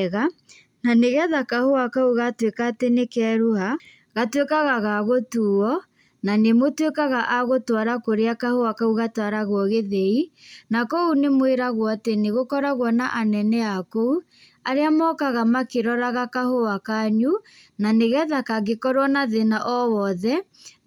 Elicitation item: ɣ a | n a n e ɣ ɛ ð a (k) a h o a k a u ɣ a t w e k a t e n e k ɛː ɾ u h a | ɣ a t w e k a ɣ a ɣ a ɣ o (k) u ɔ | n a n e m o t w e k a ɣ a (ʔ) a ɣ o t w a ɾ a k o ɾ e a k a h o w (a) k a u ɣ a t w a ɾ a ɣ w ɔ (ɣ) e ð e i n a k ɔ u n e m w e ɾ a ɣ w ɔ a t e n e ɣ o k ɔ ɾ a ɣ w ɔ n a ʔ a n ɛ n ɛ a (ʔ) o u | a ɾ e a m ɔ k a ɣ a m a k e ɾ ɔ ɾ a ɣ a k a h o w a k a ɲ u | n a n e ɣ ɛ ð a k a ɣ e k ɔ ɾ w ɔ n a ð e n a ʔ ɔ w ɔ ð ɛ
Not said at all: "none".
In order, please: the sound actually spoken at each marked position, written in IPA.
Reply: k, t, ʔ, a, ɣ, k

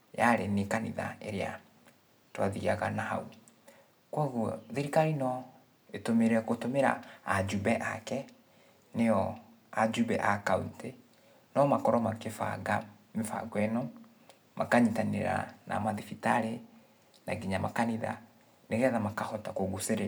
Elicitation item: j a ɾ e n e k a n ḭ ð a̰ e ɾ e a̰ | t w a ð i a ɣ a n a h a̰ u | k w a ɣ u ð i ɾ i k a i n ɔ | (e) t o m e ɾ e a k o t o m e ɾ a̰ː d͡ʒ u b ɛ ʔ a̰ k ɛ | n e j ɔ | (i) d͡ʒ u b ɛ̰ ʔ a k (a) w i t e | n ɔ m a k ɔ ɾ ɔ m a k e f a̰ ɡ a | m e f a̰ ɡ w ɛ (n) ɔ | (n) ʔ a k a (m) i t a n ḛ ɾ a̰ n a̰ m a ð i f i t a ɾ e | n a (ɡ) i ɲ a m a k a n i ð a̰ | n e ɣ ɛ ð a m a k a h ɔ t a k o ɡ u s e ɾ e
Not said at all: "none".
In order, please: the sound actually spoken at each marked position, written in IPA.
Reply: e, a, a, n, m, ɲ, ɡ

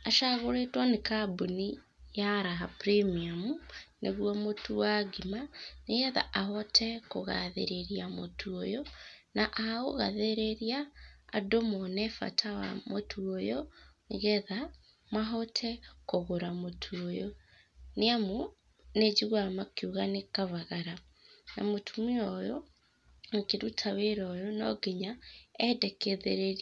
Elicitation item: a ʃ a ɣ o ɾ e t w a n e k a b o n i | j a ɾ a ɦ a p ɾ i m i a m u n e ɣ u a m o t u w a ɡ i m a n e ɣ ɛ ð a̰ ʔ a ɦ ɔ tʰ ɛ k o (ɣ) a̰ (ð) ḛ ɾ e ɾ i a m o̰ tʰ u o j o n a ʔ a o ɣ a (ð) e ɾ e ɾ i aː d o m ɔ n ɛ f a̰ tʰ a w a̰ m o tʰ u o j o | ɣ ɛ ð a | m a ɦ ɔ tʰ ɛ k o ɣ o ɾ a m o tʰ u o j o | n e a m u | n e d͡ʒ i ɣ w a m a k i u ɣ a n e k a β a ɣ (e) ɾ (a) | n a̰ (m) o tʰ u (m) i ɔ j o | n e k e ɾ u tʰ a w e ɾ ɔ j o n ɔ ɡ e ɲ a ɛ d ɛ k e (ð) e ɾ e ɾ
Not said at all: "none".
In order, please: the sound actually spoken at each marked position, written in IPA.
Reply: ɣ, ð, ð, a, a, m, m, ð

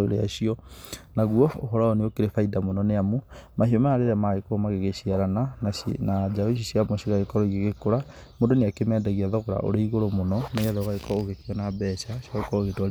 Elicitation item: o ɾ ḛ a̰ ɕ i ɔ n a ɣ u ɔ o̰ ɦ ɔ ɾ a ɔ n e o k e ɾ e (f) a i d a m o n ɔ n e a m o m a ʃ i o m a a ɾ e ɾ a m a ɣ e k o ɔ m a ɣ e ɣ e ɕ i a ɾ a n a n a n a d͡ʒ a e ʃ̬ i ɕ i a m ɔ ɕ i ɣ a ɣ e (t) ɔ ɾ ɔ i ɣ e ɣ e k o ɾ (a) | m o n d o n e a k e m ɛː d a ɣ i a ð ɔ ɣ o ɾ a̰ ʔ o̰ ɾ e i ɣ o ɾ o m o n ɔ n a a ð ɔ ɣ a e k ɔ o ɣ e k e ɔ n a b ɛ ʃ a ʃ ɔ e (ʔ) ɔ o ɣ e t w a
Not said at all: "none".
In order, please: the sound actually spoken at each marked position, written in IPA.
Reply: f, k, a, k

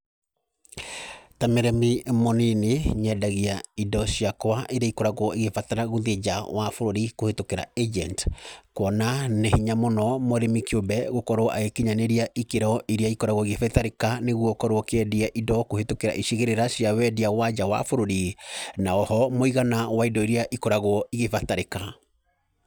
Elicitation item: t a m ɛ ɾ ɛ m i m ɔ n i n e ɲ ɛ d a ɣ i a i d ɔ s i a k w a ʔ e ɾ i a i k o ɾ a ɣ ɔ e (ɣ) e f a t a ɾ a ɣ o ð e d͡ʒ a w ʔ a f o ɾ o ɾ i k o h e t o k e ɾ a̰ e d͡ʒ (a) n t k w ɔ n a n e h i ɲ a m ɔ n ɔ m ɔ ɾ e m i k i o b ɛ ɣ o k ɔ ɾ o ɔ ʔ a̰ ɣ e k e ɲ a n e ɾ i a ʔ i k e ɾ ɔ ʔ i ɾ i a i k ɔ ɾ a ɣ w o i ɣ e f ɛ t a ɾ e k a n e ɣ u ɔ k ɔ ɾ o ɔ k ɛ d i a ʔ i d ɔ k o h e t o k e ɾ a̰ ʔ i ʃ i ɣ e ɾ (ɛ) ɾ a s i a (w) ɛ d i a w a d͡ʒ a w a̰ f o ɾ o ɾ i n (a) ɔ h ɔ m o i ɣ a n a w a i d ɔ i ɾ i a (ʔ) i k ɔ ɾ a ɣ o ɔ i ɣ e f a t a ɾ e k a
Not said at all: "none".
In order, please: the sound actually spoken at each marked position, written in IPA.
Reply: ɣ, ɛ, e, w, a, ʔ

